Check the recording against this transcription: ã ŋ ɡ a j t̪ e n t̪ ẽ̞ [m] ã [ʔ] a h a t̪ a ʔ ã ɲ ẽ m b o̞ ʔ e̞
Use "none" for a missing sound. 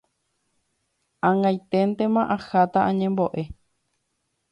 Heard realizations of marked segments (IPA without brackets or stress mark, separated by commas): m, ʔ